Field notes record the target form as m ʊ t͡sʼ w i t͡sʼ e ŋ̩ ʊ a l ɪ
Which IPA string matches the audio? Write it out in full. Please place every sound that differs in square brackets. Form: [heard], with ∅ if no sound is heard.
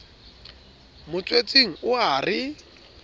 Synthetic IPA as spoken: m ʊ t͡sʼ w [e] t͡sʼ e ŋ̩ ʊ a [r] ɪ